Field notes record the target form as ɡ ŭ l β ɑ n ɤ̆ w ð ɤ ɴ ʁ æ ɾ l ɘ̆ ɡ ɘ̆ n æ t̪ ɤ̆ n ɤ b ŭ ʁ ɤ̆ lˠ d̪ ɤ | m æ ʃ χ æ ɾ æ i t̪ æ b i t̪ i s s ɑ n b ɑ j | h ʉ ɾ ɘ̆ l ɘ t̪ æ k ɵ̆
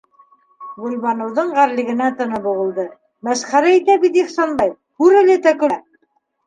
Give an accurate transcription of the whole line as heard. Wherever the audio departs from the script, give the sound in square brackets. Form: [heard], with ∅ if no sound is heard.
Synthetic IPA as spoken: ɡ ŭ l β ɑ n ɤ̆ w ð ɤ ɴ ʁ æ ɾ l ɘ̆ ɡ ɘ̆ n æ t̪ ɤ̆ n ɤ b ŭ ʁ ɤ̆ lˠ d̪ ɤ | m æ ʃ χ æ ɾ æ i t̪ æ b i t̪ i [χ] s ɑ n b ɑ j | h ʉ ɾ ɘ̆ l ɘ t̪ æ k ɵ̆